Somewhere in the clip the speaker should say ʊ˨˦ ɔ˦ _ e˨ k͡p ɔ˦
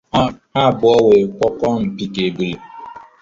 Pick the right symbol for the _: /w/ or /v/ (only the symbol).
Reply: w